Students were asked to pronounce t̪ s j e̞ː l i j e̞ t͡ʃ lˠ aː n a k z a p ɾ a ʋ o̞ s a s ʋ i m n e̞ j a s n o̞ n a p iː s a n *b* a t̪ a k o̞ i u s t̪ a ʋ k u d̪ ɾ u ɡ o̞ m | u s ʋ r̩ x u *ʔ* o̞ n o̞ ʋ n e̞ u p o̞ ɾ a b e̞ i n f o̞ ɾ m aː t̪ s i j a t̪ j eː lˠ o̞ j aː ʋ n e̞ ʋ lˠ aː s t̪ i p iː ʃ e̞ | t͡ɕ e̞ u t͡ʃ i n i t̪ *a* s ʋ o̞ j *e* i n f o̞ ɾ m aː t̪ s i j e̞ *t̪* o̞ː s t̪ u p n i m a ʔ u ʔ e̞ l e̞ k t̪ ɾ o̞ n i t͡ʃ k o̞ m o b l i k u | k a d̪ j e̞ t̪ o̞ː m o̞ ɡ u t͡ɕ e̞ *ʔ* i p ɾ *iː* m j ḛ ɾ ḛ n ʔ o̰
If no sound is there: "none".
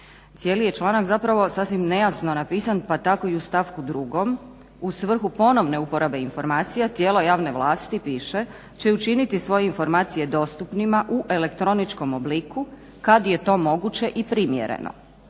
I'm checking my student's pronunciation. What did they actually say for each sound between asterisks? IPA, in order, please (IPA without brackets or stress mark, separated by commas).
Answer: p, p, i, e, d̪, ʔ, i